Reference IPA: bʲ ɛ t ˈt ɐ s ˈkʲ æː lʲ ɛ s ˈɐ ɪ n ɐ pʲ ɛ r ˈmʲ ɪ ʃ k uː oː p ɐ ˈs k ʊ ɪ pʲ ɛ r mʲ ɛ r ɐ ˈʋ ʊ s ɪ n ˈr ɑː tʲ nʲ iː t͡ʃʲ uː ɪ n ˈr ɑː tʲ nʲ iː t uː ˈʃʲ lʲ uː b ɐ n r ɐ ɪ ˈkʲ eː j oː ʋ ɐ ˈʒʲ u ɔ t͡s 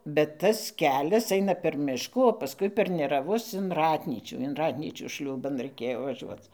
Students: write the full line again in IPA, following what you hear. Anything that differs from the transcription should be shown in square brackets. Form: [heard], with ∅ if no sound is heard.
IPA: bʲ ɛ t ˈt ɐ s ˈkʲ æː lʲ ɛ s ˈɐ ɪ n ɐ pʲ ɛ r ˈmʲ ɪ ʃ k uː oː p ɐ ˈs k ʊ ɪ pʲ ɛ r [nʲ] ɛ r ɐ ˈʋ ʊ s ɪ n ˈr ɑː tʲ nʲ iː t͡ʃʲ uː ɪ n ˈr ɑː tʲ nʲ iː [t͡ʃʲ] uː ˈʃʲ lʲ uː b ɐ n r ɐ ɪ ˈkʲ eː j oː ʋ ɐ ˈʒʲ u ɔ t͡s